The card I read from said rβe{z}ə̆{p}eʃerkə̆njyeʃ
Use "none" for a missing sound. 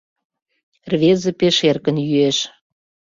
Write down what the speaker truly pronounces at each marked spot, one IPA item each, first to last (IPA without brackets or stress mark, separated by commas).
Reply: z, p